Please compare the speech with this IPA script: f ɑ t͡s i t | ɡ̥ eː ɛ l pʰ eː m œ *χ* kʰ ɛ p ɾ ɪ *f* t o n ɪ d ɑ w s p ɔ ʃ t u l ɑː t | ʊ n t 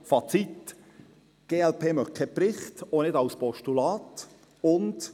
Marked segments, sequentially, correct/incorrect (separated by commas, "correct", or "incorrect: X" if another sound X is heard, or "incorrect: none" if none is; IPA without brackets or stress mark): correct, incorrect: χ